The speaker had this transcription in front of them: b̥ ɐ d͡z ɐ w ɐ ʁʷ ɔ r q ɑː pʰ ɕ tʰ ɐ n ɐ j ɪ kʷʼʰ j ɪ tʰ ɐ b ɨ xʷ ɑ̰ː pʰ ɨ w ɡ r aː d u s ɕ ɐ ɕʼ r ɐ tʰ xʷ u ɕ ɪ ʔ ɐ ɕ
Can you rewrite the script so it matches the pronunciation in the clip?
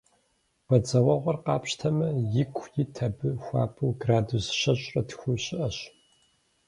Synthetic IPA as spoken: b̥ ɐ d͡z ɐ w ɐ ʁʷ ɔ r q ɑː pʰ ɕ tʰ ɐ m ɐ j ɪ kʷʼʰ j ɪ tʰ ɐ b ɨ xʷ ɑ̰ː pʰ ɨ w ɡ r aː d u s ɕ ɐ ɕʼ r ɐ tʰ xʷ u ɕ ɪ ʔ ɐ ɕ

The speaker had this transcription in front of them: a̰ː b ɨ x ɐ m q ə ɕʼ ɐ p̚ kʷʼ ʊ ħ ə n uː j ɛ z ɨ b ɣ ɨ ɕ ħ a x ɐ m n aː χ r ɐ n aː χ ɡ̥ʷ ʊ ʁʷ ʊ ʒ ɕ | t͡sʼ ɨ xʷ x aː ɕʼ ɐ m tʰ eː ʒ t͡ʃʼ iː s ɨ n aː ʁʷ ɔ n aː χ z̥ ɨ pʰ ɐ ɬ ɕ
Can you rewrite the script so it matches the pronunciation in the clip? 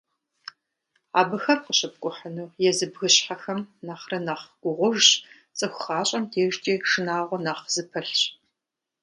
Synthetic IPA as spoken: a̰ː b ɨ x ɐ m q ə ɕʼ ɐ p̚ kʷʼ ʊ ħ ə n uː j ɛ z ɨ b ɣ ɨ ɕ ħ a x ɐ m n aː χ r ɐ n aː χ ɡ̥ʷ ʊ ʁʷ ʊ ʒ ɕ | t͡sʼ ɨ xʷ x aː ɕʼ ɐ m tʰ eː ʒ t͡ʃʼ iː ʂ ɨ n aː ʁʷ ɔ n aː χ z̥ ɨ pʰ ɐ ɬ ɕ

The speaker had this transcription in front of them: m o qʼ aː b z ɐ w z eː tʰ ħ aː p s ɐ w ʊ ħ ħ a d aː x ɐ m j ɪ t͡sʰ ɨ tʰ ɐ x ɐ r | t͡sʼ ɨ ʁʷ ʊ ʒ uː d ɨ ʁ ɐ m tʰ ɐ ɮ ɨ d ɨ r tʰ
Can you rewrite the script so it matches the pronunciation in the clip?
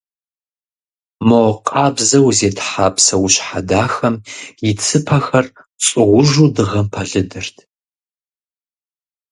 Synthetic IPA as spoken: m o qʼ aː b z ɐ w z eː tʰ ħ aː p s ɐ w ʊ ɕ ħ a d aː x ɐ m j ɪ t͡sʰ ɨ pʰ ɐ x ɐ r | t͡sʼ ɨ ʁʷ ʊ ʒ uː d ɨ ʁ ɐ m pʰ ɐ ɮ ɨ d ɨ r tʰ

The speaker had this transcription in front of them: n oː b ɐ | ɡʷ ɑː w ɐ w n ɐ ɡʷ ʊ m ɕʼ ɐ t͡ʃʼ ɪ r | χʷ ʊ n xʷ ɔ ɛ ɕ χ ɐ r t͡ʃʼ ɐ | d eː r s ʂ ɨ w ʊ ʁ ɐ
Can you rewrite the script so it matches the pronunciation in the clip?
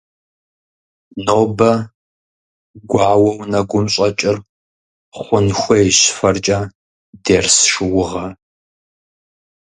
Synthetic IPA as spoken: n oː b ɐ | ɡʷ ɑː w ɐ w n ɐ ɡʷ ʊ m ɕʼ ɐ t͡ʃʼ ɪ r | χʷ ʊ n xʷ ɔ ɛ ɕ f ɐ r t͡ʃʼ ɐ | d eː r s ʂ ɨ w ʊ ʁ ɐ

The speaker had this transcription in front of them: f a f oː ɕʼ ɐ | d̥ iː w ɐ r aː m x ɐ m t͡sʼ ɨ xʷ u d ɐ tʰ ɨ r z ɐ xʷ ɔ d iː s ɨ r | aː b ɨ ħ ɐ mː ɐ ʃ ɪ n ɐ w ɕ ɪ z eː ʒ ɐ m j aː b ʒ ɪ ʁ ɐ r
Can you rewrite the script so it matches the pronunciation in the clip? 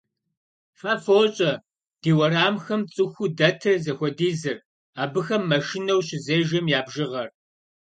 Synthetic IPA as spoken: f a f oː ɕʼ ɐ | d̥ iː w ɐ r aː m x ɐ m t͡sʼ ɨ xʷ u d ɐ tʰ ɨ r z ɐ xʷ ɔ d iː z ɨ r | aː b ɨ x ɐ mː ɐ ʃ ɪ n ɐ w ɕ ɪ z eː ʒ ɐ m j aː b ʒ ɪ ʁ ɐ r

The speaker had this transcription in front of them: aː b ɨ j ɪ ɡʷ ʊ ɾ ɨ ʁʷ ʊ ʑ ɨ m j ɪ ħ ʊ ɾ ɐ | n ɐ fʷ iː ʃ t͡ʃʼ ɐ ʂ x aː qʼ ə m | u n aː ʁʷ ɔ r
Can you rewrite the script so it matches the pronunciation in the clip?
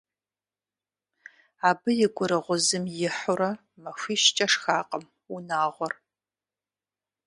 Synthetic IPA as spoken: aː b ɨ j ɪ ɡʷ ʊ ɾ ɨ ʁʷ ʊ z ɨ m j ɪ ħ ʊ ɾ ɐ | m ɐ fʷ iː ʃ t͡ʃʼ ɐ ʂ x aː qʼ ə m | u n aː ʁʷ ɔ r

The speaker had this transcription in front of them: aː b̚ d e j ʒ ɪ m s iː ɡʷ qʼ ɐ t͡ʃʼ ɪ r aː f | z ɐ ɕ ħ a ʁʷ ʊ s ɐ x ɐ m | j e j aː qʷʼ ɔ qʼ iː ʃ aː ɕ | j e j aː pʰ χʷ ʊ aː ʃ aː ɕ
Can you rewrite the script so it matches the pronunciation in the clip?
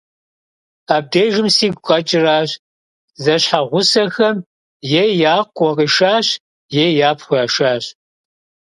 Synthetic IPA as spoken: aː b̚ d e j ʒ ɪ m s iː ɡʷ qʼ ɐ t͡ʃʼ ɪ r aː ɕ | z ɐ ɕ ħ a ʁʷ ʊ s ɐ x ɐ m | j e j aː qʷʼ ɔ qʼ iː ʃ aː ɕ | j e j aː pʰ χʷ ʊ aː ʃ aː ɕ

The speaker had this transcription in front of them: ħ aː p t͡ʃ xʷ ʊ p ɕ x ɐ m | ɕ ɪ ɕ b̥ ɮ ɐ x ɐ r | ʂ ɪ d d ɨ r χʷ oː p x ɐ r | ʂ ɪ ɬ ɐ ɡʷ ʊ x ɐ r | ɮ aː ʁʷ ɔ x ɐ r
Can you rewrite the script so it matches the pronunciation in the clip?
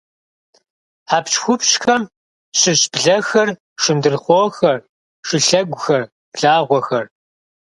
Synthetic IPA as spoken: ħ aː p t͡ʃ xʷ ʊ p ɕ x ɐ m | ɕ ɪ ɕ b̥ ɮ ɐ x ɐ r | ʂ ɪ n d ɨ r χʷ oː x ɐ r | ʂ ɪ ɬ ɐ ɡʷ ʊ x ɐ r | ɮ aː ʁʷ ɔ x ɐ r

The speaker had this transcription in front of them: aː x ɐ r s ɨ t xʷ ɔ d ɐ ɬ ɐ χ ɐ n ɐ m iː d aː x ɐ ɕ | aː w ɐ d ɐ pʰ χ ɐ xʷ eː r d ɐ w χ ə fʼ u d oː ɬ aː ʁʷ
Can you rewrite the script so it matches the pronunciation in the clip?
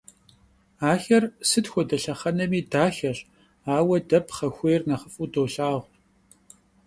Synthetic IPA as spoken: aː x ɐ r s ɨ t xʷ ɔ d ɐ ɬ ɐ χ ɐ n ɐ m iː d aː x ɐ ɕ | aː w ɐ d ɐ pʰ χ ɐ xʷ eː r n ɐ χ ə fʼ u d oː ɬ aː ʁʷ

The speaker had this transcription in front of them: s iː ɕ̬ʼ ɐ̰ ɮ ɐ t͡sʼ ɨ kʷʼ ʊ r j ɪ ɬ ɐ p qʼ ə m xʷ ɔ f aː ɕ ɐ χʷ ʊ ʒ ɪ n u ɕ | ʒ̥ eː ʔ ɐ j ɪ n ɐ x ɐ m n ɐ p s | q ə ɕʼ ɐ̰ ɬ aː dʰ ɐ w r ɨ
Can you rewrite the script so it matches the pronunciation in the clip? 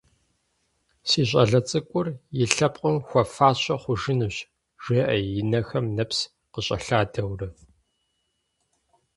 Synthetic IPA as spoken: s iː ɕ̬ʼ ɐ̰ ɮ ɐ t͡sʼ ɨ kʷʼ ʊ r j ɪ ɬ ɐ p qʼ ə m xʷ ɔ f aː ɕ ɐ χʷ ʊ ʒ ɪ n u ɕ | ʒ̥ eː ʔ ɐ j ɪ n ɐ x ɐ m n ɐ p s | q ə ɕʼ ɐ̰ ɬ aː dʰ ɐ w r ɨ

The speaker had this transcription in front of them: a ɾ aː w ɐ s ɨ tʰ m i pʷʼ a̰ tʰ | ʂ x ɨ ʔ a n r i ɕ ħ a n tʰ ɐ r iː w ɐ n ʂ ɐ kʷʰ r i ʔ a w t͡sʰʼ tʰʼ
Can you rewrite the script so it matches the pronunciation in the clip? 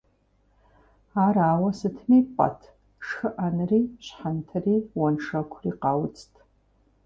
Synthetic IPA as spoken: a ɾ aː w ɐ s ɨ tʰ m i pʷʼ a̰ tʰ | ʂ x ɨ ʔ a n r i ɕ ħ a n tʰ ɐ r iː w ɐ n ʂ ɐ kʷʰ r i q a w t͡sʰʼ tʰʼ

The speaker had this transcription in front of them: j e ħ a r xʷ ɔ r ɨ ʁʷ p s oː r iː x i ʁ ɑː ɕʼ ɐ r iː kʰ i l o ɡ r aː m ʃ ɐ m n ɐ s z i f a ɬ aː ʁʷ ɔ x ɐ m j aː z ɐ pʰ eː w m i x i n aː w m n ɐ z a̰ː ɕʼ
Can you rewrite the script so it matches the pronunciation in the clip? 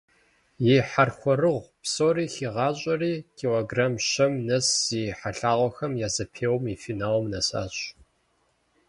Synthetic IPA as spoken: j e ħ a r xʷ ɔ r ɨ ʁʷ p s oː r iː x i ʁ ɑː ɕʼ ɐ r iː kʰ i l o ɡ r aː m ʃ ɐ m n ɐ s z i ħ a ɬ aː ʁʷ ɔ x ɐ m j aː z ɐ pʰ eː w m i f i n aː w m n ɐ s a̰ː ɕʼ

